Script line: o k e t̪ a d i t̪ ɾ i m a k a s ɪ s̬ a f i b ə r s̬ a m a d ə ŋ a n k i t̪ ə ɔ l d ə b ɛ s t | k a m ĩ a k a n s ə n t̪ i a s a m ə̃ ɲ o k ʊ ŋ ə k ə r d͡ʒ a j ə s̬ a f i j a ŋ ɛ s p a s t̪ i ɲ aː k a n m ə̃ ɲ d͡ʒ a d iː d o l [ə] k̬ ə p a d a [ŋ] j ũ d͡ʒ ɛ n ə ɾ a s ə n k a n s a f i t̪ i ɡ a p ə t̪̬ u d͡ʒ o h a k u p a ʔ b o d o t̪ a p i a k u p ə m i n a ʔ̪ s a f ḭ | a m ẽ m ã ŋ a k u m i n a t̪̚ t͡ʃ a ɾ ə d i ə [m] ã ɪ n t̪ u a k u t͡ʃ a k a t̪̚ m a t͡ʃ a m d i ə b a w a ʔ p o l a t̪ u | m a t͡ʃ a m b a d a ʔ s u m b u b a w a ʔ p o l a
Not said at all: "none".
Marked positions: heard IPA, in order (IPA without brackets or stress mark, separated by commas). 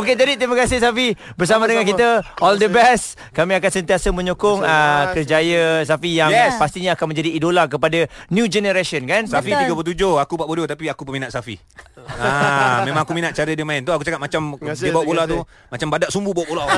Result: a, n, m